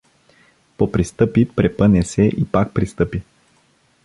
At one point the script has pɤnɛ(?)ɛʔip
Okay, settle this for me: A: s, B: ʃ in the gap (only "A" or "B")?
A